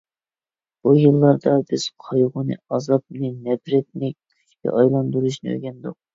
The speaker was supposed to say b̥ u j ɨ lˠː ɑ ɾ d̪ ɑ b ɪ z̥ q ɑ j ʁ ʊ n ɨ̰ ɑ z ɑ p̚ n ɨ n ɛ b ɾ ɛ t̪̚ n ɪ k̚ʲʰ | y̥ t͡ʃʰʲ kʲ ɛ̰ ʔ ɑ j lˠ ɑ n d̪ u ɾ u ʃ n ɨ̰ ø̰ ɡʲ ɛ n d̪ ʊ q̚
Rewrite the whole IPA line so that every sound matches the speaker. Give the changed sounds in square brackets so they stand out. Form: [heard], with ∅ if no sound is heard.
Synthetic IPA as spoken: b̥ u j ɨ lˠː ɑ ɾ d̪ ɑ b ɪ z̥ [qʰ] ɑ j ʁ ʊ n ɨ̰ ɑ z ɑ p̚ n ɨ n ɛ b ɾ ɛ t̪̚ n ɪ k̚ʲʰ | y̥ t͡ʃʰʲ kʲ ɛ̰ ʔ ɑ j lˠ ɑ n d̪ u ɾ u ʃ n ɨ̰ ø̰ ɡʲ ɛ n d̪ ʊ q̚

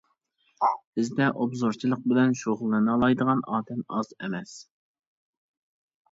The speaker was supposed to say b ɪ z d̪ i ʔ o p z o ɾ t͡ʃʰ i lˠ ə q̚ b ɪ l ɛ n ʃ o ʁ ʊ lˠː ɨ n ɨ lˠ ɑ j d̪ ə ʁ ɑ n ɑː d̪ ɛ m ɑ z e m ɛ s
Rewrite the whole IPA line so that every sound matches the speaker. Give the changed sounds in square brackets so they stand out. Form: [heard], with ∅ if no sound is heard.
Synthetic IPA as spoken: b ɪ z d̪ [ɛ] ʔ o [b] z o ɾ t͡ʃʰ i lˠ ə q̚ b ɪ l ɛ n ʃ o ʁ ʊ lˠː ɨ n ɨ lˠ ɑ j d̪ ə ʁ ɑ n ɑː d̪ ɛ m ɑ z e m ɛ s

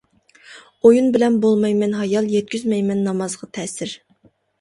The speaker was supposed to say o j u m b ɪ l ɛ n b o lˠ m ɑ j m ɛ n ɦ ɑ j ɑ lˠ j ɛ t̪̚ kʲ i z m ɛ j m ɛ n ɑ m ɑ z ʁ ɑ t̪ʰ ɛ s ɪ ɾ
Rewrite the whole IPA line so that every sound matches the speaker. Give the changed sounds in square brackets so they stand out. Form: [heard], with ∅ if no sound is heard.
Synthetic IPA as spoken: o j u [n] b ɪ l ɛ n b o lˠ m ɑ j m ɛ n ɦ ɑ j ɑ lˠ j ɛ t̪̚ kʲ [y] z m ɛ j m ɛ [nː] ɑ m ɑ z ʁ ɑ t̪ʰ ɛ s ɪ ɾ

